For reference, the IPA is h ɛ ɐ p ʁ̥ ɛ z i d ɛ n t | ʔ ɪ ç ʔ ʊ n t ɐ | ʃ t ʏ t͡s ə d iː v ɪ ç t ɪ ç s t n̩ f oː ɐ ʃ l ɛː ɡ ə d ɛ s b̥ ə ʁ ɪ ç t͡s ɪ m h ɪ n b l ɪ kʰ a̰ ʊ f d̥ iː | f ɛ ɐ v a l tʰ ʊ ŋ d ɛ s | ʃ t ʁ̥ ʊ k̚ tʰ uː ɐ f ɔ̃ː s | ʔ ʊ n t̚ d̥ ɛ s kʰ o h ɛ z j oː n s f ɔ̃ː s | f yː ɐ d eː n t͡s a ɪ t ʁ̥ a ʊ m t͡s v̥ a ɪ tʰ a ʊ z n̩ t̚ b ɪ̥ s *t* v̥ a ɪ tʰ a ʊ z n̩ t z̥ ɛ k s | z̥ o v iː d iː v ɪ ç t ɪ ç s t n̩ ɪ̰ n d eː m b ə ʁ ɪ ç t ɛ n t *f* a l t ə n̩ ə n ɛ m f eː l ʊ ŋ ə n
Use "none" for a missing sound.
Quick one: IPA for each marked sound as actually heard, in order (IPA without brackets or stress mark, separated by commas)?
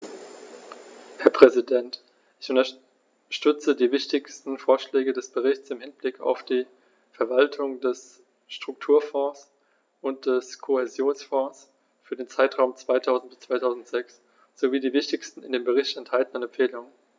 t͡s, h